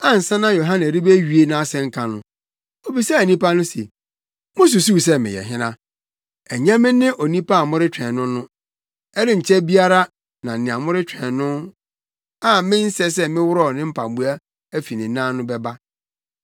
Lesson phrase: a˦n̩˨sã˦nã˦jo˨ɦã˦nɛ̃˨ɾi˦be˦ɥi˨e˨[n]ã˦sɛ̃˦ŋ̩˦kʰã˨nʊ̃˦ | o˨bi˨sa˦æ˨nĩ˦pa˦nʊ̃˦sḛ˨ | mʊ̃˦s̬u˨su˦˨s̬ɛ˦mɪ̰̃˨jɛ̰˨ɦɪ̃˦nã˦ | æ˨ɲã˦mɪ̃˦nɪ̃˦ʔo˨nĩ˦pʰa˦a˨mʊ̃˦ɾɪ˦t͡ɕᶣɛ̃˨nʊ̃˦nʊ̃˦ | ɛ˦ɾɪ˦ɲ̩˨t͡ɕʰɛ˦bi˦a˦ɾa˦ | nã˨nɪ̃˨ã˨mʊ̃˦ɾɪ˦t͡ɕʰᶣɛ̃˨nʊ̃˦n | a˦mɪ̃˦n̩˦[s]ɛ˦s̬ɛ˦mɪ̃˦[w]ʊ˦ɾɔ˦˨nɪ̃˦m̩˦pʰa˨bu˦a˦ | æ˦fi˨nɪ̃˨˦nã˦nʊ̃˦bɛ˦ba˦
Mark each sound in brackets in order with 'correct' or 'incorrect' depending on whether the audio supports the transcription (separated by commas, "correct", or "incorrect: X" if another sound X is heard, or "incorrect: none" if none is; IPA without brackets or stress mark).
correct, correct, correct